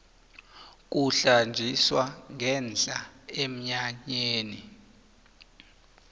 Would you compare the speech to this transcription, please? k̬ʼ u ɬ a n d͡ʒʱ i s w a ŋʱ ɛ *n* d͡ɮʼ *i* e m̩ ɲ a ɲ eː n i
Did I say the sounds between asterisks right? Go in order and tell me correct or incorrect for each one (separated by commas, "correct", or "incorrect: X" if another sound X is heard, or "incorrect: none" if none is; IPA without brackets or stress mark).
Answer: correct, incorrect: a